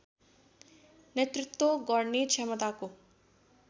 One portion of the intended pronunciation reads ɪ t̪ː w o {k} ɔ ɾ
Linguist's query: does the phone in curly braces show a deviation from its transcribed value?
yes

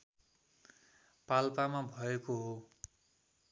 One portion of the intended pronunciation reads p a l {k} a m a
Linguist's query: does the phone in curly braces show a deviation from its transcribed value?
yes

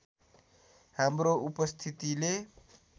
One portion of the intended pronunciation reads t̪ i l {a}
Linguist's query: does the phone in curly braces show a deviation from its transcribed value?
yes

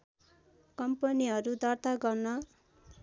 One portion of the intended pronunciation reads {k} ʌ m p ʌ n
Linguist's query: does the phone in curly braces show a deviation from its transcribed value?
no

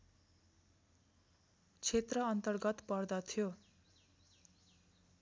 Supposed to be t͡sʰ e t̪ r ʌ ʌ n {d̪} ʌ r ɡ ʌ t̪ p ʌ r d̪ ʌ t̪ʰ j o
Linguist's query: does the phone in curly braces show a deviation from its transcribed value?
yes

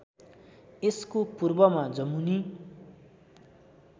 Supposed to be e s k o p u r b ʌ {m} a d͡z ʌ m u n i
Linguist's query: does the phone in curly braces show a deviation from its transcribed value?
no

